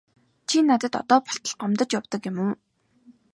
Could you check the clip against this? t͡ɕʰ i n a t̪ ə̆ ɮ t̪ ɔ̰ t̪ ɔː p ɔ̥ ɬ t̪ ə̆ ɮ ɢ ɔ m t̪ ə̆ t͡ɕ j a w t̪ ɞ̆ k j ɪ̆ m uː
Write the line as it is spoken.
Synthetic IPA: t͡ɕʰ i n a t̪ ə̆ t̪ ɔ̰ t̪ ɔː p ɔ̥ ɬ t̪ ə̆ ɮ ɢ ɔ m t̪ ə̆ t͡ɕ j a w t̪ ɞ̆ k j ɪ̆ m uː